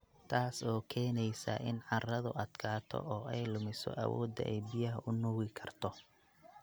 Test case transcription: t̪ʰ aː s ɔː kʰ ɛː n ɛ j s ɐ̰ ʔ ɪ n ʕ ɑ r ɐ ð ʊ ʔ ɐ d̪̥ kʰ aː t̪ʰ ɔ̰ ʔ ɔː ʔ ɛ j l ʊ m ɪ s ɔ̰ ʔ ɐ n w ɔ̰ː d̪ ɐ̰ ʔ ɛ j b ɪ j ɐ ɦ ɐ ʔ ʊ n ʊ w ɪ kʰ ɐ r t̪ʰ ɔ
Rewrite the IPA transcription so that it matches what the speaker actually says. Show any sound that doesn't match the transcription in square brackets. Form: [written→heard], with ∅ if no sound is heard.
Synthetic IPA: t̪ʰ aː s ɔː kʰ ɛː n ɛ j s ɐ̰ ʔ ɪ n ʕ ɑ r ɐ ð ʊ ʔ ɐ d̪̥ kʰ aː t̪ʰ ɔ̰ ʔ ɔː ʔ ɛ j l ʊ m ɪ s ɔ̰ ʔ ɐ [n→∅] w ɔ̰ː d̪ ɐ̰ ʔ ɛ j b ɪ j ɐ ɦ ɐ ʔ ʊ n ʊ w ɪ kʰ ɐ r t̪ʰ ɔ